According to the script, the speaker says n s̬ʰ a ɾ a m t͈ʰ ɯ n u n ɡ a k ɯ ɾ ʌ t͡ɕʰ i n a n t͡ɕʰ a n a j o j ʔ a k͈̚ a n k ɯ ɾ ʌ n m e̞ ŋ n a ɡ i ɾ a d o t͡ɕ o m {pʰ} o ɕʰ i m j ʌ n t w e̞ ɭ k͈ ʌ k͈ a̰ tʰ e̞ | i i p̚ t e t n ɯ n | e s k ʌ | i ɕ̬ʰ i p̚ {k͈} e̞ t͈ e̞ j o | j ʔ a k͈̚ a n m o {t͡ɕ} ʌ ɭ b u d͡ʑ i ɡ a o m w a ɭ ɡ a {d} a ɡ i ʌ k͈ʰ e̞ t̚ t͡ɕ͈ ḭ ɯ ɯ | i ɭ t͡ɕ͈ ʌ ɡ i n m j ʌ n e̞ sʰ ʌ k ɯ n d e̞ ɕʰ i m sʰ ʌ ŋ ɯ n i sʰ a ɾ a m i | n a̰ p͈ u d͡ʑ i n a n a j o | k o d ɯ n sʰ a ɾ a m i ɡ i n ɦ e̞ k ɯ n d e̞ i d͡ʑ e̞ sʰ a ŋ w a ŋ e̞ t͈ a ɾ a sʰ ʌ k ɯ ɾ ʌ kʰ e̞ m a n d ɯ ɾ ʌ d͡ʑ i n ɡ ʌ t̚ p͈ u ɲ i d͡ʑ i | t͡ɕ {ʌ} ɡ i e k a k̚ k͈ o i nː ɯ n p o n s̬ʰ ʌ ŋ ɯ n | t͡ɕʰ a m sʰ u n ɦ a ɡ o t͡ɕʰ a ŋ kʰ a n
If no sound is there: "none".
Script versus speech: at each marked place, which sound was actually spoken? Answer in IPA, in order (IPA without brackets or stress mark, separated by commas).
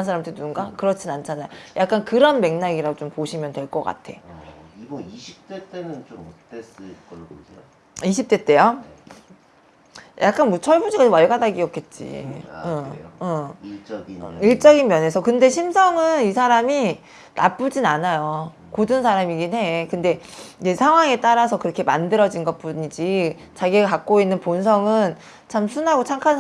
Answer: p, t͈, t͡ɕʰ, d, a